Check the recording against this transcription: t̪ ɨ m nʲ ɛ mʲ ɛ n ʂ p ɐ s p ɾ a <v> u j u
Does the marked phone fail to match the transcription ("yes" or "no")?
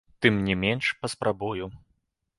yes